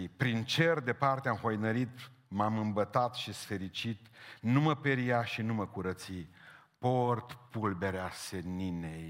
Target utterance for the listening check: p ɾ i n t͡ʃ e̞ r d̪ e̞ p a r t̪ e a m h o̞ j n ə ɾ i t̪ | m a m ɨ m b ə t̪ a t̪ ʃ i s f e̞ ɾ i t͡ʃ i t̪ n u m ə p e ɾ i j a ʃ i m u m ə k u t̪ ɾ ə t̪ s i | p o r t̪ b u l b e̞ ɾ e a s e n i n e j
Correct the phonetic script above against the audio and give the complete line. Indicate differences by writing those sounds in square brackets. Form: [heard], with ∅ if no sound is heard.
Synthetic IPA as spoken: p ɾ i n t͡ʃ e̞ r d̪ e̞ p a r t̪ e a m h o̞ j n ə ɾ i t̪ | m a m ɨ m b ə t̪ a t̪ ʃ i s f e̞ ɾ i t͡ʃ i t̪ n u m ə p e ɾ i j a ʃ i [n] u m ə k u [∅] ɾ ə t̪ s i | p o r t̪ [p] u l b e̞ ɾ e a s e n i n e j